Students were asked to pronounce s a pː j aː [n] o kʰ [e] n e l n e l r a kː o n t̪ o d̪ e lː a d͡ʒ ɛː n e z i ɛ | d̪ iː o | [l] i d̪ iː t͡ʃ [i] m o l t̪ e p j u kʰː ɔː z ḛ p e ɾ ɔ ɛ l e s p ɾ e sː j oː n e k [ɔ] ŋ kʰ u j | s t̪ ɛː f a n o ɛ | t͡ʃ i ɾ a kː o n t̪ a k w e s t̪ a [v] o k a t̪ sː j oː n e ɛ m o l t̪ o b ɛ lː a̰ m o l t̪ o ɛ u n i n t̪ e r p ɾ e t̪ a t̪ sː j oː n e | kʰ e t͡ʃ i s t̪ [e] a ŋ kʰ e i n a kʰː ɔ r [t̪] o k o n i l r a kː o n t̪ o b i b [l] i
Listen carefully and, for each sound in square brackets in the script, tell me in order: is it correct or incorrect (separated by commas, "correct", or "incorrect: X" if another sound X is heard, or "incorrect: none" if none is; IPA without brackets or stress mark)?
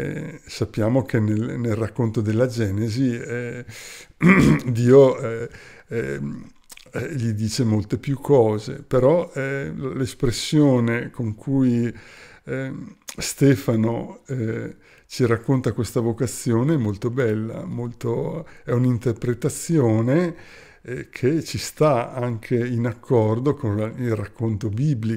incorrect: m, correct, incorrect: ʎ, incorrect: e, incorrect: o, correct, incorrect: a, incorrect: d̪, correct